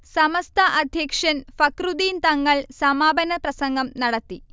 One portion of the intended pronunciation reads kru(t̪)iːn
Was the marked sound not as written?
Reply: yes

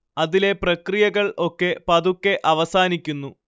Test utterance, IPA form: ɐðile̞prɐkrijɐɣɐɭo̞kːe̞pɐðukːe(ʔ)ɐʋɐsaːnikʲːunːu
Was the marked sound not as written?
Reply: no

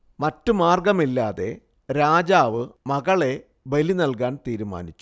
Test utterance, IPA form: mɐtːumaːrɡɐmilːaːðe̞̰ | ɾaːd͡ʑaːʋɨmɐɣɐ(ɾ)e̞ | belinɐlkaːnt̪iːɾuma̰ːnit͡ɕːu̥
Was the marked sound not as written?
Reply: yes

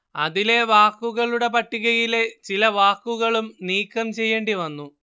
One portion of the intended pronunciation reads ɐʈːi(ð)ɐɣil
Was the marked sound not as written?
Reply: yes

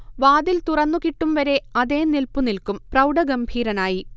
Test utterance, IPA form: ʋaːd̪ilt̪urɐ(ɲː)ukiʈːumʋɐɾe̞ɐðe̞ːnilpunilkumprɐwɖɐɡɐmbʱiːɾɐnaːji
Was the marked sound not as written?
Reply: yes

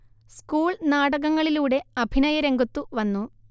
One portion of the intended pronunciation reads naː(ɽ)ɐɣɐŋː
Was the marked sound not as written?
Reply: no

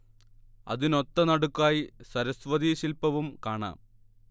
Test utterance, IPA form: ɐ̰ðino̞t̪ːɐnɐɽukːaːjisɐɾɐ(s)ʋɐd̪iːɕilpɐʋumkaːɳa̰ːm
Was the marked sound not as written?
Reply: no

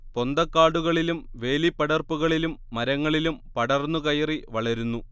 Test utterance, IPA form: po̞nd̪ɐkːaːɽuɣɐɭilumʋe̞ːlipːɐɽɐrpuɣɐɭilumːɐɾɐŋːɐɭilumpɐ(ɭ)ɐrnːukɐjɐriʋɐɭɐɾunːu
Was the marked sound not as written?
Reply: yes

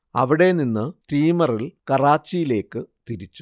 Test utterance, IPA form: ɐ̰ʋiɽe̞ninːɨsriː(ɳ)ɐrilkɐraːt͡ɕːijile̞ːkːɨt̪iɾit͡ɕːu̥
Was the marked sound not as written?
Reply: yes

